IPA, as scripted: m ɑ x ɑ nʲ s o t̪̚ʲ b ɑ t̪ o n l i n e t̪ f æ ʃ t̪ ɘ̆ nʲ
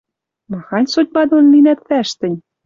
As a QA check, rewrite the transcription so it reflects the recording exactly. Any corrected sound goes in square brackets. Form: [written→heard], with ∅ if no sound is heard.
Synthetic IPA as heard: m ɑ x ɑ nʲ s o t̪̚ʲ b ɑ [t̪→d̪] o n l i n [e→æ] t̪ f æ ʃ t̪ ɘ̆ nʲ